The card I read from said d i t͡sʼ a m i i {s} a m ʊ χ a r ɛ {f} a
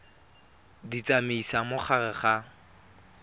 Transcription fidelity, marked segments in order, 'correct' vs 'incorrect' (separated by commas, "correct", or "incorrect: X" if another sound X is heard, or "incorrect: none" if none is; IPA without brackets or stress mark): correct, incorrect: χ